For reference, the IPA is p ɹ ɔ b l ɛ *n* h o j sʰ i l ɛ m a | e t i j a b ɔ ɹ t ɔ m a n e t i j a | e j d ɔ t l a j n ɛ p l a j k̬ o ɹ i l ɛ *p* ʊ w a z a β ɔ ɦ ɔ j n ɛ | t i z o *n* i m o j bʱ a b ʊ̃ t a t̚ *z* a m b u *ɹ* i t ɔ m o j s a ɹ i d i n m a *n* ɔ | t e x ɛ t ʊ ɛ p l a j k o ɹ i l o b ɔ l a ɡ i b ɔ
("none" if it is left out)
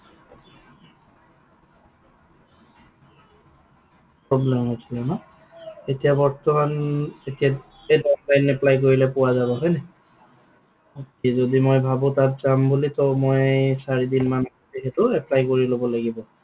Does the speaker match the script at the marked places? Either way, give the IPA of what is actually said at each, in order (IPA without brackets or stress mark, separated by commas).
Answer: m, p, d, z, l, n